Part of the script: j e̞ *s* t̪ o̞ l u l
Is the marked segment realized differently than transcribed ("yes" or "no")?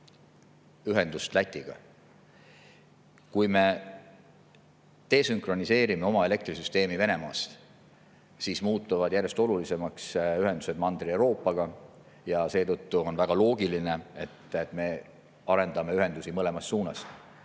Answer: no